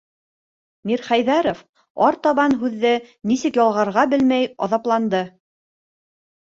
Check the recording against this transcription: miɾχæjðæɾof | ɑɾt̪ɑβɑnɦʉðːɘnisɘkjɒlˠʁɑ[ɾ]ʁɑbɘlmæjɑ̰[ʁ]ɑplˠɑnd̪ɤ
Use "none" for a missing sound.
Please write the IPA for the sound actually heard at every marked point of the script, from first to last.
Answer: ɾ, ð

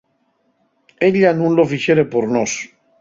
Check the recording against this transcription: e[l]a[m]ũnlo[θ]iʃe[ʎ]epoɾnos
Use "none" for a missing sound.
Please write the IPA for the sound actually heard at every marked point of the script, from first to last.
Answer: ʎ, n, f, ɾ

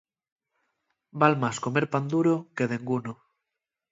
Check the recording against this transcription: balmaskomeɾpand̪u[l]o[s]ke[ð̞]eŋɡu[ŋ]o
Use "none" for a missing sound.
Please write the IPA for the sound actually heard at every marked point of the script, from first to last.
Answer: ɾ, none, ð̞, n

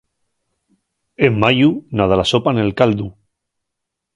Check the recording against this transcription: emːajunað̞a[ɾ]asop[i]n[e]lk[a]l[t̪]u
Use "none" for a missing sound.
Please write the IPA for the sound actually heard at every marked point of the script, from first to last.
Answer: l, a, e, a, d̪

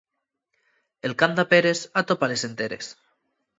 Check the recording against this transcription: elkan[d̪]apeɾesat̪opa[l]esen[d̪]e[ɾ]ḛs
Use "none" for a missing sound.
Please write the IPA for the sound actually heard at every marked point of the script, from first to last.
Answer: d̪, l, t̪, ɾ

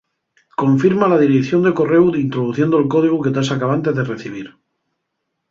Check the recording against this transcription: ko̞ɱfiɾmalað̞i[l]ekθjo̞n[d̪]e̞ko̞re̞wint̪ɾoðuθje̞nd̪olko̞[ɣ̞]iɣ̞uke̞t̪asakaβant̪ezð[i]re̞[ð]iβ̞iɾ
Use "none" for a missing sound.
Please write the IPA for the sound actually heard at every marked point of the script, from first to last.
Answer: ɾ, d̪, ð̞, e, θ

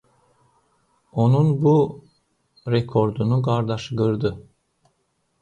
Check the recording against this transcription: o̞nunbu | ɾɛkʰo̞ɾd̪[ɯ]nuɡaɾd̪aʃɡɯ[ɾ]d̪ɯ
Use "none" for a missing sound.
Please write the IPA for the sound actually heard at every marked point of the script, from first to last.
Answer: u, ɾ

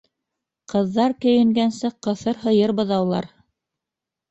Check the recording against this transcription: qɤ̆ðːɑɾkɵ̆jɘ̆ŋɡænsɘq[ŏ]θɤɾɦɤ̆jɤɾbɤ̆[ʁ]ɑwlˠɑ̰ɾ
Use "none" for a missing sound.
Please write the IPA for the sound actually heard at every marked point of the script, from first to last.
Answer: ɤ̆, ð

